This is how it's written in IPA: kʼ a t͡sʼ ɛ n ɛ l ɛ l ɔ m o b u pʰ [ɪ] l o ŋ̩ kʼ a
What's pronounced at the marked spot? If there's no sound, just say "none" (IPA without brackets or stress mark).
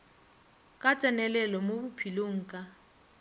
i